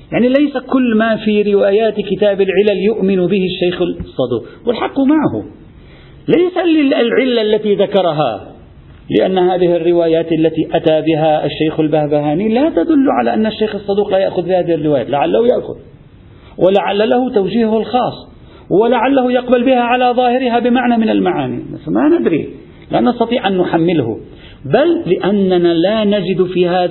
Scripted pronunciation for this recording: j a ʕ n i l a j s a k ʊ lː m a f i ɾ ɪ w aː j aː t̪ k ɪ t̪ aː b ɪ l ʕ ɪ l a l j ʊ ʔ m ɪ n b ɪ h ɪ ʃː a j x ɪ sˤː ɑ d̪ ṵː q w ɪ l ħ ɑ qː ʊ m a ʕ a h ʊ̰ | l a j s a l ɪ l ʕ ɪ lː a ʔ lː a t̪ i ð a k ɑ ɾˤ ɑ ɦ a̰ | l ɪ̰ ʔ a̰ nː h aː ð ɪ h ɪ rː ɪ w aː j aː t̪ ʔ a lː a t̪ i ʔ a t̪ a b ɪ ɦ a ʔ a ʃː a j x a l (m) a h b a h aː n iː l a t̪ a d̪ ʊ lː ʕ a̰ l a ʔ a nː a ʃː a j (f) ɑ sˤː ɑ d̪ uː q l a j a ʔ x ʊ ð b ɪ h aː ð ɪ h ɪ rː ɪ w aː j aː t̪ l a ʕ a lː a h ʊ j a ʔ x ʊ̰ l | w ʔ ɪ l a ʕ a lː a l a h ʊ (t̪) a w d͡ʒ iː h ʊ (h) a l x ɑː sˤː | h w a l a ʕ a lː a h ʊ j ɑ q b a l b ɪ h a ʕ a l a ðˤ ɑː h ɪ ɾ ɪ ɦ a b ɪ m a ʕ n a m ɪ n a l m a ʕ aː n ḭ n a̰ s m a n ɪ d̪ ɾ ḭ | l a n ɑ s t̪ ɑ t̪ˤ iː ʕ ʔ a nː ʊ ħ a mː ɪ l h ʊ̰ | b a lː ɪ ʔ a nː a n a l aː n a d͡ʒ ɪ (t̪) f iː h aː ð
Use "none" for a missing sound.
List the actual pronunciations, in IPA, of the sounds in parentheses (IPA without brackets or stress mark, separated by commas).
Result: b, x, t̪, h, d̪